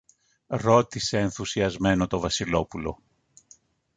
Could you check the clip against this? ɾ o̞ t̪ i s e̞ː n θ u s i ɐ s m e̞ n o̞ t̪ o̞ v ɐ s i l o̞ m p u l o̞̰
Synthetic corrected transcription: ɾ o̞ t̪ i s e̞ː n θ u s i ɐ z m e̞ n o̞ t̪ o̞ v ɐ s i l o̞ p u l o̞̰